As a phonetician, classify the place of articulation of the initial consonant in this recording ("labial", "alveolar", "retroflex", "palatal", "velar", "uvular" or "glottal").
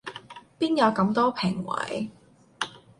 labial